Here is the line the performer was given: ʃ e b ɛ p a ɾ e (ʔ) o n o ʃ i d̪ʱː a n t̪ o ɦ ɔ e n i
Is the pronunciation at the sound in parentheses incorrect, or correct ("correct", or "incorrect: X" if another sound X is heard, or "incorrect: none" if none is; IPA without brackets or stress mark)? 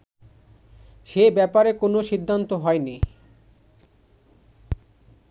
incorrect: k